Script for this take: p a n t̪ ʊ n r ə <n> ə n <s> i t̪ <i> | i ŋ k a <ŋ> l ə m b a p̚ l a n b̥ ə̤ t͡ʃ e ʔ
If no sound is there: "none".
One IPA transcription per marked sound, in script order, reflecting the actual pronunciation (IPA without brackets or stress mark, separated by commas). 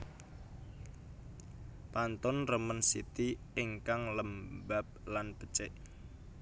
m, s, i, ŋ